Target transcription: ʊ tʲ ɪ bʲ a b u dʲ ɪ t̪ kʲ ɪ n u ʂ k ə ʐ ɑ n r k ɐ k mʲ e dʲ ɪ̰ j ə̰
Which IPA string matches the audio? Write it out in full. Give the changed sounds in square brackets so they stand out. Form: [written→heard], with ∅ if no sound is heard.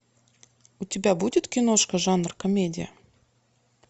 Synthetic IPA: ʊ tʲ ɪ bʲ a b u dʲ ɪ t̪ kʲ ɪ n [u→o] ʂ k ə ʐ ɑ n r k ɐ [k→∅] mʲ e dʲ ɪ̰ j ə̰